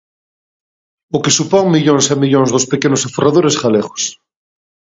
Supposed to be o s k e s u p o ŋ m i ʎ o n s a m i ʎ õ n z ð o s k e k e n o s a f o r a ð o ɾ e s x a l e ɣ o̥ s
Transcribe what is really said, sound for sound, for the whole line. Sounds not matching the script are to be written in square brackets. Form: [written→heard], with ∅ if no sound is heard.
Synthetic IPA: o [s→∅] k e s u p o ŋ m i ʎ o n s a m i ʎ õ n z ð o s [k→p] e k e n o s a f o r a ð o ɾ e s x a l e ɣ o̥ s